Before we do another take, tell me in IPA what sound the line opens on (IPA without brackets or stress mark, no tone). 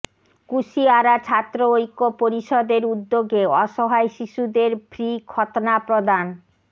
k